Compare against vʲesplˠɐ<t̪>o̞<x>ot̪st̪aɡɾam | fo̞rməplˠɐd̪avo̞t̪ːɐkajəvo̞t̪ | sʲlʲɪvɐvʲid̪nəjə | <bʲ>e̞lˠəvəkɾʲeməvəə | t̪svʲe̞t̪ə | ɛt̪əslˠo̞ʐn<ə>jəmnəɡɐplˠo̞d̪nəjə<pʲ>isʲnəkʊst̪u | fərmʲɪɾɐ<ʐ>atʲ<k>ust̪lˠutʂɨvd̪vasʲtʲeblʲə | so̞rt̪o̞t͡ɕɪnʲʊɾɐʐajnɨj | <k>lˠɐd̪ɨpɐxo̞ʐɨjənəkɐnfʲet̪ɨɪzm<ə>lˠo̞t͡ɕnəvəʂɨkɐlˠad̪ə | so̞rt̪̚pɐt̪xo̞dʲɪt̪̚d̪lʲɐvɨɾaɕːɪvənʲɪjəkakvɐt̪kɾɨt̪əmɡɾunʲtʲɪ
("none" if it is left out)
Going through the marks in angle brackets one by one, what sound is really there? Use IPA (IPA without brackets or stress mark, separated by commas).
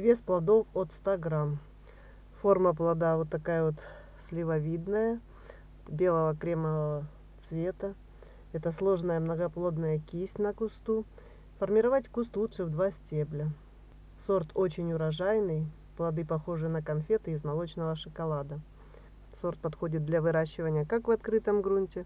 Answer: d̪, f, bʲ, ə, kʲ, v, k, p, ɐ